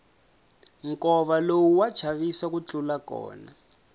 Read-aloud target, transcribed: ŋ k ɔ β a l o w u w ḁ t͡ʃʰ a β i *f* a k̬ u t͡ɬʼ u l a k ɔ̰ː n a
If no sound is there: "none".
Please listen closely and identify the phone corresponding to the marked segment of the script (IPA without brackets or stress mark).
s